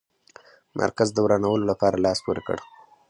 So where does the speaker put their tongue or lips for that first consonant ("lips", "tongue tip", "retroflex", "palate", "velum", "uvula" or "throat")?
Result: lips